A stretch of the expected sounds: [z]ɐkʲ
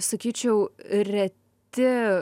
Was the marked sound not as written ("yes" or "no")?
yes